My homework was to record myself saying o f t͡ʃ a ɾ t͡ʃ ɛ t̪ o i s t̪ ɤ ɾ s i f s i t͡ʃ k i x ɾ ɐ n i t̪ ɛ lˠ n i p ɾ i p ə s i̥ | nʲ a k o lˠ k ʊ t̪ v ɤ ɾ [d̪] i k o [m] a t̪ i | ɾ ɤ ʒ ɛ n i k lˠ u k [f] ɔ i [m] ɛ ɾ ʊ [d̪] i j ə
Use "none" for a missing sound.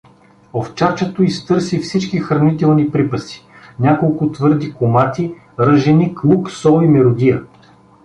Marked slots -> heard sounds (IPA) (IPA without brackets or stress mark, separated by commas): d̪, m, s, m, d̪